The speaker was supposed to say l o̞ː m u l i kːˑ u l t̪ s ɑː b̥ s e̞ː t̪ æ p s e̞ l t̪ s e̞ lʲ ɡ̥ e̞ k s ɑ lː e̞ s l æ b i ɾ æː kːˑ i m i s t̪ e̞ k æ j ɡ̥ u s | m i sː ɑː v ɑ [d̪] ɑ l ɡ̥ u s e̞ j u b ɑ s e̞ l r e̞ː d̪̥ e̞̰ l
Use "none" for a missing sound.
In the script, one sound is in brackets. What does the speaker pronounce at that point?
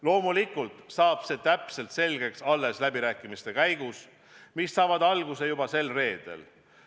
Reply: d̪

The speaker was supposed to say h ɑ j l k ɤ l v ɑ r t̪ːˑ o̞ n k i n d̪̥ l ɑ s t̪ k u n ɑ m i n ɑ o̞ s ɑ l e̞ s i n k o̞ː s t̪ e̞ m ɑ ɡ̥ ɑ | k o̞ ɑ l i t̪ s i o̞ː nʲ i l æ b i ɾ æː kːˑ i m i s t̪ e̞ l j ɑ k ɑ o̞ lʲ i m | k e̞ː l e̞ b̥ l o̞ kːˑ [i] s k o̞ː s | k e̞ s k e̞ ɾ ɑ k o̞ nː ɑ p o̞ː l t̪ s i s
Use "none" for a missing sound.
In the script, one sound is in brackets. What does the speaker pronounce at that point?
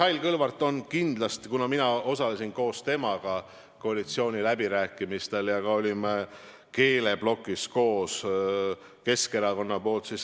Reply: i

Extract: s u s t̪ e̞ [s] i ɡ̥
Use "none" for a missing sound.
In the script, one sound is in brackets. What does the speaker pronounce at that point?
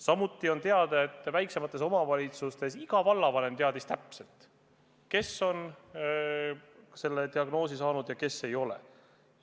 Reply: s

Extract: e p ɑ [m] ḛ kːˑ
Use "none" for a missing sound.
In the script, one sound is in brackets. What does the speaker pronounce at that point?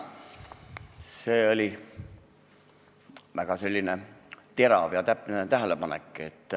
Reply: n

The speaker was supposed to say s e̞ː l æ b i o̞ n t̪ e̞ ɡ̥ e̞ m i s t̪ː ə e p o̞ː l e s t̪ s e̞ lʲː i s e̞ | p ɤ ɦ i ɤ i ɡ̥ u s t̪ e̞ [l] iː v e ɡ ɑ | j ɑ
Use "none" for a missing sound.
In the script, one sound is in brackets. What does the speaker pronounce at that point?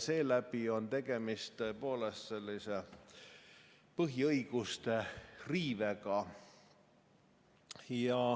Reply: r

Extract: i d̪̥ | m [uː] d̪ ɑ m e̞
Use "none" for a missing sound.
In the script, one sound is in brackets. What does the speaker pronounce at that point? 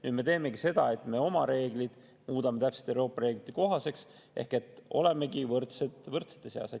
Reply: uː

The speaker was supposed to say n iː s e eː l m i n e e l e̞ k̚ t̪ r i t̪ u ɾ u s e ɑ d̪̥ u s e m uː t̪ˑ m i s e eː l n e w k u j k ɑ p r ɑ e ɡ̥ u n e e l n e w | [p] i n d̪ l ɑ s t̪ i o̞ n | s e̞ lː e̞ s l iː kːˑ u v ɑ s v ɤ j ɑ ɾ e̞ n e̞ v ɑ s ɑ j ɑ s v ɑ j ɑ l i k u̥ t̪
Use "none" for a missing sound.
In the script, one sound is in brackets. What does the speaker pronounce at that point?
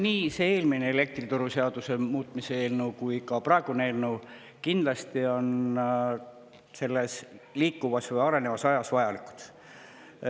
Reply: k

